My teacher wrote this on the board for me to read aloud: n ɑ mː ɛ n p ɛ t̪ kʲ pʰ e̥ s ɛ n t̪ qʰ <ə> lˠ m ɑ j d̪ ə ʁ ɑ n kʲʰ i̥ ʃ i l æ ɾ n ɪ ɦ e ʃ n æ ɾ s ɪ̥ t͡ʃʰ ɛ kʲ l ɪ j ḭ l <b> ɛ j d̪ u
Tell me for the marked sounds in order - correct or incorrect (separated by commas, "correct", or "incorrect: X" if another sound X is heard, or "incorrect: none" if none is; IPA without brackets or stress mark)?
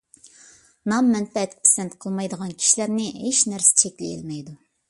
correct, incorrect: m